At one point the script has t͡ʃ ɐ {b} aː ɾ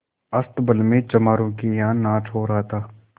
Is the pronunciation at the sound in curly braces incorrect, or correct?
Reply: incorrect